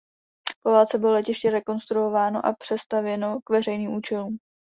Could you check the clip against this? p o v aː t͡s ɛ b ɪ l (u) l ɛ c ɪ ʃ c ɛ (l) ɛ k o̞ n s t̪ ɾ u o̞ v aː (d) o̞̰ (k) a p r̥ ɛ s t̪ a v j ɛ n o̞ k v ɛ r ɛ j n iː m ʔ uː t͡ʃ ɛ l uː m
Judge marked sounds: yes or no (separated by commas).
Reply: no, no, no, no